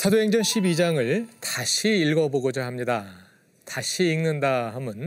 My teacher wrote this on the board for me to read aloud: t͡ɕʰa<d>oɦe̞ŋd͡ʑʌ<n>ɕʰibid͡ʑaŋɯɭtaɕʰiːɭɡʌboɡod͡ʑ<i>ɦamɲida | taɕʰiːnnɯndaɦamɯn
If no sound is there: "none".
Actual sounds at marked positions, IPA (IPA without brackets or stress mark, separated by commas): d, n, a